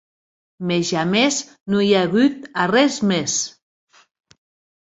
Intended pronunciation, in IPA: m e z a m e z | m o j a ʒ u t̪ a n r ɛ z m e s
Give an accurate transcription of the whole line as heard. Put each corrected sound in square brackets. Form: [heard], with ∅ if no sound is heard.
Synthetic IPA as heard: m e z a m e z | [n] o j a [ɣ] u t̪ a [∅] r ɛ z m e s